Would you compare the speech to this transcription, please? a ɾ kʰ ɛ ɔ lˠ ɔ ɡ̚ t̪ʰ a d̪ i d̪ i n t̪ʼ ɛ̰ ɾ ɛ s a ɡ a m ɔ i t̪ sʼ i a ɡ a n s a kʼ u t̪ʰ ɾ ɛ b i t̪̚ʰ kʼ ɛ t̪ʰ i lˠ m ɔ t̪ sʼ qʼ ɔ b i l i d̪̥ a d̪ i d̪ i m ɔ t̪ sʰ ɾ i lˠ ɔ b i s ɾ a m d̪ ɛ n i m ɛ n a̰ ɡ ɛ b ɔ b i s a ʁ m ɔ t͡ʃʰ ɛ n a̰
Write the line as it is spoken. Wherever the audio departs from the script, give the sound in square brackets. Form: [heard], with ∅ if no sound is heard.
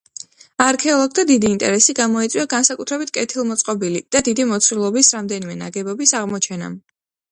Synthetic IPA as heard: a ɾ kʰ ɛ ɔ lˠ ɔ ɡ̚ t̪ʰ a d̪ i d̪ [iː] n t̪ʼ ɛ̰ ɾ ɛ s [i] ɡ a m ɔ i t̪ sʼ i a ɡ a n s a kʼ u t̪ʰ ɾ ɛ b i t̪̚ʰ kʼ ɛ t̪ʰ i lˠ m ɔ t̪ sʼ qʼ ɔ b i l i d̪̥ a d̪ i d̪ i m ɔ t̪ sʰ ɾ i lˠ ɔ b i s ɾ a m d̪ ɛ n i m ɛ n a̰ ɡ ɛ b ɔ b i s a ʁ m ɔ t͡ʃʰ ɛ n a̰